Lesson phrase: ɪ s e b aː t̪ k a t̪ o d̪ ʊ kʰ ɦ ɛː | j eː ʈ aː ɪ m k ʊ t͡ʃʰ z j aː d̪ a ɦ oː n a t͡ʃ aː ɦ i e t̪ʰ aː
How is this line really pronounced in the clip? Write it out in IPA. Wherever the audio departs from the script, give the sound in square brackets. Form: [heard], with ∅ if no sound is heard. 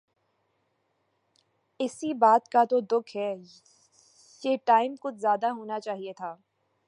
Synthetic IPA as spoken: ɪ s [i] b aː t̪ k a t̪ o d̪ ʊ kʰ ɦ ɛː | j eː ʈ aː ɪ m k ʊ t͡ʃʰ z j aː d̪ a ɦ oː n a t͡ʃ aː ɦ i e t̪ʰ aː